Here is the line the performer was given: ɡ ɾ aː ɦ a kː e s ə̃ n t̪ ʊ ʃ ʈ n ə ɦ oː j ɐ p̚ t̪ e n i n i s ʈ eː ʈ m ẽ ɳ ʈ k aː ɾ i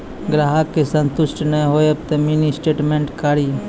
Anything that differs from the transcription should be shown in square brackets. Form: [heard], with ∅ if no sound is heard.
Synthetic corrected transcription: ɡ ɾ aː ɦ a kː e s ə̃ n t̪ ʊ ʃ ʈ n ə ɦ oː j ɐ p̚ t̪ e [m] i n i s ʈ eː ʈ m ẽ ɳ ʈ k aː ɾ i